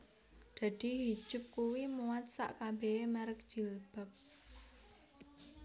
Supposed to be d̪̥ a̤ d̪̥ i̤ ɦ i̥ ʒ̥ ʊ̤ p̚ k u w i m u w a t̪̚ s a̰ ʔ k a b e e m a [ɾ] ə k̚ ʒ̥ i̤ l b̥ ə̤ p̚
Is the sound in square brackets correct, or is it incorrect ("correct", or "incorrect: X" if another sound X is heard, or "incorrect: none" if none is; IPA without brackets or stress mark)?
correct